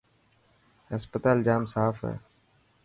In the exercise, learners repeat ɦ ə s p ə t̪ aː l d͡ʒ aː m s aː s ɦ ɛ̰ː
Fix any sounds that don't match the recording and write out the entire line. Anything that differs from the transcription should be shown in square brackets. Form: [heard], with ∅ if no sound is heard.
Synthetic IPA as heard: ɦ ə s p ə t̪ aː l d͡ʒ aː m s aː [f] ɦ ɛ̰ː

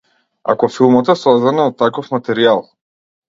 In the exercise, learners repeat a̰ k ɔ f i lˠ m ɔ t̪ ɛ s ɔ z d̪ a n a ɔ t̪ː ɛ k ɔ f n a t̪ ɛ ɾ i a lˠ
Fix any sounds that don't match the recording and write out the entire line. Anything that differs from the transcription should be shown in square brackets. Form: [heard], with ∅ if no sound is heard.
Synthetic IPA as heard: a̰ k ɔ f i lˠ m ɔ t̪ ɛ s ɔ z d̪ a n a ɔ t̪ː [a] k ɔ f [m] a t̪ ɛ ɾ i a lˠ

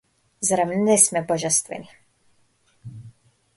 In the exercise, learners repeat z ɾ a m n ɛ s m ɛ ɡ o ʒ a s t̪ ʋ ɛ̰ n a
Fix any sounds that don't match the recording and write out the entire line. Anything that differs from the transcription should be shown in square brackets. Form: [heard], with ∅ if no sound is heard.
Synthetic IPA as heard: z ɾ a m n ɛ s m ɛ [b] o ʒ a s t̪ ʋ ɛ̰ n [i]

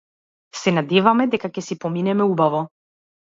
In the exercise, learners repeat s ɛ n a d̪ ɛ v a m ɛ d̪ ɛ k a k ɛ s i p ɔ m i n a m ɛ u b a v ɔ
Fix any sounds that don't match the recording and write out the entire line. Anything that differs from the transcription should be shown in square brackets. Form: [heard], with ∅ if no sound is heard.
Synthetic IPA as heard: s ɛ n a d̪ ɛ v a m ɛ d̪ ɛ k a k ɛ s i p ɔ m i n [ɛ] m ɛ u b a v ɔ

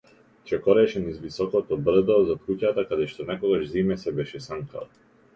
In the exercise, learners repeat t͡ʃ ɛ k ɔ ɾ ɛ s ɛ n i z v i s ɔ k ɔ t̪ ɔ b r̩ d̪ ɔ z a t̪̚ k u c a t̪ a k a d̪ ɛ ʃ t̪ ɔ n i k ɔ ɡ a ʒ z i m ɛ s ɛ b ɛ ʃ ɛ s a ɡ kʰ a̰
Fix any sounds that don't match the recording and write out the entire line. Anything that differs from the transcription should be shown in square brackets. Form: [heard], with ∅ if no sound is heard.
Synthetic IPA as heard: t͡ʃ ɛ k ɔ ɾ ɛ [ʃ] ɛ n i z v i s ɔ k ɔ t̪ ɔ b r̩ d̪ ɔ z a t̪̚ k u c a t̪ a k a d̪ ɛ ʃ t̪ ɔ n [ɛ] k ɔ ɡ a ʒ z i m ɛ s ɛ b ɛ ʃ ɛ s a [ŋ] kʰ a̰

